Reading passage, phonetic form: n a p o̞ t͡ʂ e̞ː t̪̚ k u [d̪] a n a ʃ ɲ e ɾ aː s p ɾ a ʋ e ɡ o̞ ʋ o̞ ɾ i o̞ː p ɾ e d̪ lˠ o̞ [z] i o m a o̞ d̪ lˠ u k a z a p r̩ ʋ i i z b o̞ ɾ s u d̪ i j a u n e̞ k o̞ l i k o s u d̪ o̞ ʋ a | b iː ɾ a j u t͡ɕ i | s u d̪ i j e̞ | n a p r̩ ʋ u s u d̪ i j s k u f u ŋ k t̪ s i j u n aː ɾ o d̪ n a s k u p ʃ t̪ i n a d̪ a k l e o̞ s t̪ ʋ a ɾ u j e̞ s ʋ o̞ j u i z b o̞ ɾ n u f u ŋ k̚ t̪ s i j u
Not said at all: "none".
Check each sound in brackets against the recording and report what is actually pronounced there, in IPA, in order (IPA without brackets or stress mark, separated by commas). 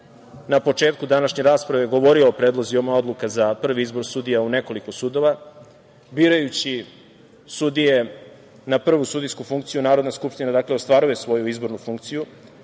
d̪, z